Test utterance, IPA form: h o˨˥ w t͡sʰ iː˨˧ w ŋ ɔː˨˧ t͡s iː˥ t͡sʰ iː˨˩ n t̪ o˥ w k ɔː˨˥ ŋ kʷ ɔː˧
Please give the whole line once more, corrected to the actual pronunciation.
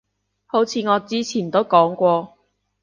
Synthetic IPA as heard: h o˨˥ w t͡sʰ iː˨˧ ŋ ɔː˨˧ t͡s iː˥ t͡sʰ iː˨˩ n t̪ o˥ w k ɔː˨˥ ŋ kʷ ɔː˧